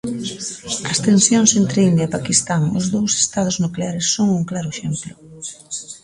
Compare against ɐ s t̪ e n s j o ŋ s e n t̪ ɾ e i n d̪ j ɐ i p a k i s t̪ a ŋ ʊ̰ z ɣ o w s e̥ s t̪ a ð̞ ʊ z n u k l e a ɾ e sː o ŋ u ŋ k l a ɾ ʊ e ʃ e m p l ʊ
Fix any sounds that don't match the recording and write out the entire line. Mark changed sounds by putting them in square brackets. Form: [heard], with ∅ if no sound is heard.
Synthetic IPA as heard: ɐ s t̪ e n s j o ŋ s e n t̪ ɾ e i n d̪ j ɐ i p a k i s t̪ a ŋ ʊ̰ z [ð] o w s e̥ s t̪ a ð̞ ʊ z n u k l e a ɾ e sː o ŋ u ŋ k l a ɾ ʊ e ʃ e m p l ʊ